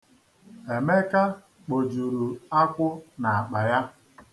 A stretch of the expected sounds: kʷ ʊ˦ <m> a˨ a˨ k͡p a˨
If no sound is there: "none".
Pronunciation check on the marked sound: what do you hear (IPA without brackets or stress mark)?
n